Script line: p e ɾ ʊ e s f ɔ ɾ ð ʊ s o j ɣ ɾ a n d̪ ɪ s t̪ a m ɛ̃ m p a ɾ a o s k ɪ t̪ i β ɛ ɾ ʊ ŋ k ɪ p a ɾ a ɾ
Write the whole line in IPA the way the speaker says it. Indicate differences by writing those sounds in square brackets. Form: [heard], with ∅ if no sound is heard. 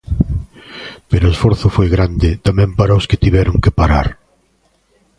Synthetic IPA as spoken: p e ɾ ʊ e s f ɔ ɾ [θ] ʊ [f] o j ɣ ɾ a n d̪ ɪ [∅] t̪ a m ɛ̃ m p a ɾ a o s k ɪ t̪ i β ɛ ɾ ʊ ŋ k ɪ p a ɾ a ɾ